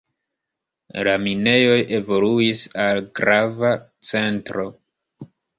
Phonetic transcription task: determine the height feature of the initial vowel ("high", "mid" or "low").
low